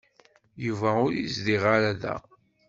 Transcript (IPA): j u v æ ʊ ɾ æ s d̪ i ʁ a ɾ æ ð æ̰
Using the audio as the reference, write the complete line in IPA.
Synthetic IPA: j u v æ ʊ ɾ i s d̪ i ʁ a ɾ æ ð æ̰